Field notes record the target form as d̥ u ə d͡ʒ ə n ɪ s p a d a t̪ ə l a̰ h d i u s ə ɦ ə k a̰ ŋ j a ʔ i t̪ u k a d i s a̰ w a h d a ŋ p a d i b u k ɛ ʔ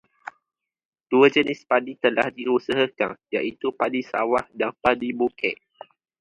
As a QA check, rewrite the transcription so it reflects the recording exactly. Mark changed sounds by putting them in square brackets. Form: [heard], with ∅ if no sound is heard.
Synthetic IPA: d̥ u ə d͡ʒ ə n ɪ s p a d [i] t̪ ə l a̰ h d i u s ə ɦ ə k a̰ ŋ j a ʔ i t̪ u [p] a d i s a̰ w a h d a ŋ p a d i b u k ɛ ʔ